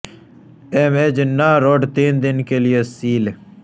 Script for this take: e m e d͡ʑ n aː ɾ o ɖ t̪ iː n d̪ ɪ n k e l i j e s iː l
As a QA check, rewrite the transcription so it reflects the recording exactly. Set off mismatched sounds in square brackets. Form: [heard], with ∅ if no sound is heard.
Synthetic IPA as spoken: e m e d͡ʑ n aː ɾ o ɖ t̪ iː n d̪ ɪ n k e l i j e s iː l